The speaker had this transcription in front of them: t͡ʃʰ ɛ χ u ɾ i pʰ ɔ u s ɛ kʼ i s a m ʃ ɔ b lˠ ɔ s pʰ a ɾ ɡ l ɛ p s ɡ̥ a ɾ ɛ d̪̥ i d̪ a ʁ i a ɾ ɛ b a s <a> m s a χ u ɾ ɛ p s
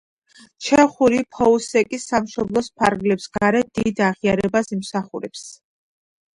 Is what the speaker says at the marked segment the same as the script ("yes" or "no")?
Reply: no